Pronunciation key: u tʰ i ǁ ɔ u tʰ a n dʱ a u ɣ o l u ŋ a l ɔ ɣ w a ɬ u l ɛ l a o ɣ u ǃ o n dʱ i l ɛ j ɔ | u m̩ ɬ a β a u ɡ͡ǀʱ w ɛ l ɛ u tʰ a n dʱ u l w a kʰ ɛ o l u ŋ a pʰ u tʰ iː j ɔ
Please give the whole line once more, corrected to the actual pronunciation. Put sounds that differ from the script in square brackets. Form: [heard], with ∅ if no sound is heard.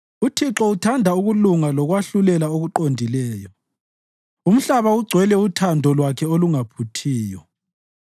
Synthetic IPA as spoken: u tʰ i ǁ ɔ u tʰ a n dʱ a u ɣ [u] l u ŋ a l ɔ ɣ w a ɬ u l ɛ l a o ɣ u ǃ o n dʱ i l [ɛː] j ɔ | u m̩ ɬ a β a u ɡ͡ǀʱ w ɛ l ɛ u tʰ a n dʱ [ɔ] l w a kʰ ɛ o l u ŋ a pʰ u tʰ iː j ɔ